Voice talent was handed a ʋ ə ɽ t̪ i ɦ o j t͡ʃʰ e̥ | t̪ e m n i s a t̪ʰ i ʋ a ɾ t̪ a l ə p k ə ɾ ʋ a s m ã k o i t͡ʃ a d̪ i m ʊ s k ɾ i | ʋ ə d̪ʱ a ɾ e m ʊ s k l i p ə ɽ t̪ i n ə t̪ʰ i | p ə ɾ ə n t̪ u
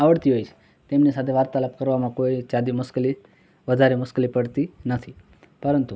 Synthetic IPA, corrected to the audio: a ʋ ə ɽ t̪ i ɦ o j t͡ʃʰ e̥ | t̪ e m n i s a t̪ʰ e ʋ a ɾ t̪ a l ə p k ə ɾ ʋ a m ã k o i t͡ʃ a d̪ i m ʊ s k l i | ʋ ə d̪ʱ a ɾ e m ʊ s k l i p ə ɽ t̪ i n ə t̪ʰ i | p ə ɾ ə n t̪ u

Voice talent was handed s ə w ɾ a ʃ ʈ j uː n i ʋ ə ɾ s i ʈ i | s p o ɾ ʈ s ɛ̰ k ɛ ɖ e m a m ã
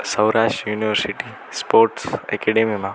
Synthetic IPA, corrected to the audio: s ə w ɾ a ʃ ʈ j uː n i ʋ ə ɾ s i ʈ i | s p o ɾ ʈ s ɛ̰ k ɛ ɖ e m i m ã

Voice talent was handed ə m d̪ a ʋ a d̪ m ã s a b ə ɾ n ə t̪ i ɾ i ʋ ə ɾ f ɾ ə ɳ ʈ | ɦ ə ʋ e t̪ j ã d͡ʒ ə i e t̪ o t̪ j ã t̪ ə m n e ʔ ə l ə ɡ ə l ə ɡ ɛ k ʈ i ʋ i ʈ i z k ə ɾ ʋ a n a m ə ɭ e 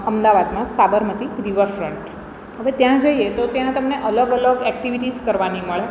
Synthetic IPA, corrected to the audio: ə m d̪ a ʋ a d̪ m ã s a b ə ɾ m ə t̪ i ɾ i ʋ ə ɾ f ɾ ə ɳ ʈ | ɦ ə ʋ e t̪ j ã d͡ʒ ə i e t̪ o t̪ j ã t̪ ə m n e ʔ ə l ə ɡ ə l ə ɡ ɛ k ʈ i ʋ i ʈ i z k ə ɾ ʋ a n i m ə ɭ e

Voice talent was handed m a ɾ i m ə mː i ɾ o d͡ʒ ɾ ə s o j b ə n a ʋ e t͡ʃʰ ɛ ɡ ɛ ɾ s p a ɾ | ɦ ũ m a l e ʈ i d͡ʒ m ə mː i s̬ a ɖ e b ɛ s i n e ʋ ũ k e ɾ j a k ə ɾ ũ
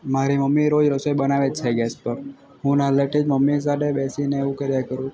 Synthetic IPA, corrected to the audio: m a ɾ i m ə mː i ɾ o d͡ʒ ɾ ə s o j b ə n a ʋ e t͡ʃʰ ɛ ɡ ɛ s p ə ɾ | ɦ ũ n a l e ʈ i d͡ʒ m ə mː i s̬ a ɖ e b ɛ s i n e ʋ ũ k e ɾ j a k ə ɾ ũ

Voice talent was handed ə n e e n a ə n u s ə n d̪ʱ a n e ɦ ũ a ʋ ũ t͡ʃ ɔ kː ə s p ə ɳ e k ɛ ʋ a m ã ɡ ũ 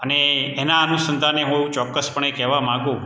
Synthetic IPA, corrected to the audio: ə n e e n a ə n u s ə n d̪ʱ a n e ɦ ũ e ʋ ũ t͡ʃ ɔ kː ə s p ə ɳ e k ɛ ʋ a m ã ɡ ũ

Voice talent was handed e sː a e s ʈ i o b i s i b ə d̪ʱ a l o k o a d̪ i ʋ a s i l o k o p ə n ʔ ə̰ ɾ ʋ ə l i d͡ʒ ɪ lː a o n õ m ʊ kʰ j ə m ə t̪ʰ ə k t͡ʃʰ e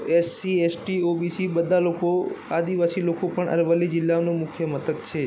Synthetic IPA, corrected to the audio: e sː i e s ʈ i o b i s i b ə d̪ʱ a l o k o a d̪ i ʋ a s i l o k o p ə ɳ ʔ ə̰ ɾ ʋ ə l i d͡ʒ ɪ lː a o n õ m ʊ kʰ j ə m ə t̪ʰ ə k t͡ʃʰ e

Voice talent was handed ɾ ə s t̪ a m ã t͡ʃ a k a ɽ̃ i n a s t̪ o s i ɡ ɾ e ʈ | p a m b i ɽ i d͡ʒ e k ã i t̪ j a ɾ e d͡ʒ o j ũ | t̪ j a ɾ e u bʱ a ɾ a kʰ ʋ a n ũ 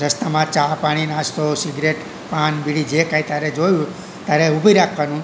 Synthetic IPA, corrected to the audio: ɾ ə s t̪ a m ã t͡ʃ a p a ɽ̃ i n a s t̪ o s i ɡ ɾ e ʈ | p a n b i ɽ i d͡ʒ e k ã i t̪ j a ɾ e d͡ʒ o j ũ | t̪ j a ɾ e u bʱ i ɾ a kʰ ʋ a n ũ

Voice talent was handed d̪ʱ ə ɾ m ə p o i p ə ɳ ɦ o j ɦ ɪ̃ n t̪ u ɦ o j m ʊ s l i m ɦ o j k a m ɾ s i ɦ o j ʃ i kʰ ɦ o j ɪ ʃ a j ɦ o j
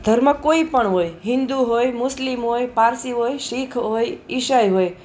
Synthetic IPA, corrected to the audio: d̪ʱ ə ɾ m ə k o i p ə ɳ ɦ o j ɦ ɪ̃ n d̪ u ɦ o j m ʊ s l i m ɦ o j p a ɾ s i ɦ o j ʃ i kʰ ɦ o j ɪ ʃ a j ɦ o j

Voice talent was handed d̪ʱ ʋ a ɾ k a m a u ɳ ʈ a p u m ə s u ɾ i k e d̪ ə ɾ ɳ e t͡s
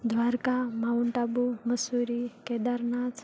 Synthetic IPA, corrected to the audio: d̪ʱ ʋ a ɾ k a m a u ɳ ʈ a b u m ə s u ɾ i k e d̪ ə ɾ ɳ a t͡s

